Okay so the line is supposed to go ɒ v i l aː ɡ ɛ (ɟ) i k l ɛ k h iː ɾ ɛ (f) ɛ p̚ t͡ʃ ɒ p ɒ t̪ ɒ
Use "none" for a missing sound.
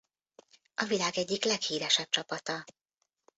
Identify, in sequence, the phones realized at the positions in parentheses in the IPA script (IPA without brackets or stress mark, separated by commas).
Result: ɟː, ʃ